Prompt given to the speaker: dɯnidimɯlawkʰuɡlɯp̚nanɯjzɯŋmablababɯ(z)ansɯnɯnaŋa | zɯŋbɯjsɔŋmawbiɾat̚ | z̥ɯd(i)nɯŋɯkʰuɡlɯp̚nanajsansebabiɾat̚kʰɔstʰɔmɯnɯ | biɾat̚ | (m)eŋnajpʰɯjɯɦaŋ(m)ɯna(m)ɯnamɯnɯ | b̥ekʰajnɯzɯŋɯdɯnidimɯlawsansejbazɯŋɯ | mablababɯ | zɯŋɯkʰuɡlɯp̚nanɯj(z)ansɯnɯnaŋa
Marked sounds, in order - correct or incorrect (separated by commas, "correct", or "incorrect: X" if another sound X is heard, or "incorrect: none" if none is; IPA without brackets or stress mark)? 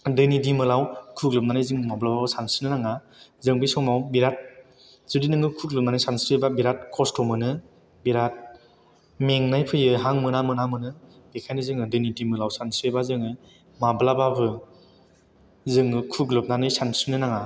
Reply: incorrect: s, correct, correct, correct, correct, incorrect: s